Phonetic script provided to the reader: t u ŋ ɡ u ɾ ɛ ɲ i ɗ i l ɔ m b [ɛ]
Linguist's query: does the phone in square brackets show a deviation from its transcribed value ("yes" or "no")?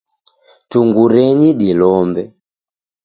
no